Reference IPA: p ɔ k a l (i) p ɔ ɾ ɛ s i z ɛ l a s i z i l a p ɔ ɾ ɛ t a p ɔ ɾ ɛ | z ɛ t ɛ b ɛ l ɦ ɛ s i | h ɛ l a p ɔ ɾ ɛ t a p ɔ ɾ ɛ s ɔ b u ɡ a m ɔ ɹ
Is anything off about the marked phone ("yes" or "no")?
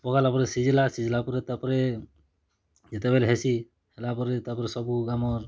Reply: yes